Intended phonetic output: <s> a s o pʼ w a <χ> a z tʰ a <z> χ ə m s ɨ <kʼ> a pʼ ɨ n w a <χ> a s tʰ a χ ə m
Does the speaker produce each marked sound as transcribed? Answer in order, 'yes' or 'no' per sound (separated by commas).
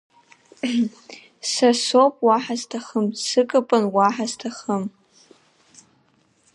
yes, no, no, yes, no